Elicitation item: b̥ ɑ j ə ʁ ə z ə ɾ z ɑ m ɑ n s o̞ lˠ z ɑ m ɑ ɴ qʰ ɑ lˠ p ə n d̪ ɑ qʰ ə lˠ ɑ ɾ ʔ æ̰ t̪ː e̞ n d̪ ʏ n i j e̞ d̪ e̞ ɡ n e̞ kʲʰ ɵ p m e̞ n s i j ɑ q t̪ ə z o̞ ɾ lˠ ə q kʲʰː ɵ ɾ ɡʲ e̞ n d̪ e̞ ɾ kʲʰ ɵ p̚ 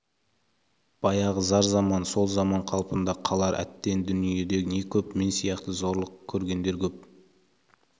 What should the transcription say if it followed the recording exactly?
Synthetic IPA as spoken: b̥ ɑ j ɑ ʁ ə z ɑ ɾ z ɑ m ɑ n s o̞ lˠ z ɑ m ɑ ɴ qʰ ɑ lˠ p ə n d̪ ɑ qʰ ɑ lˠ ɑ ɾ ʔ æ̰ t̪ː e̞ n d̪ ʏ n i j e̞ d̪ e̞ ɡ n e̞ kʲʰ ɵ p m e̞ n s i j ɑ q t̪ ə z o̞ ɾ lˠ ə q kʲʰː ɵ ɾ ɡʲ e̞ n d̪ e̞ ɾ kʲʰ ɵ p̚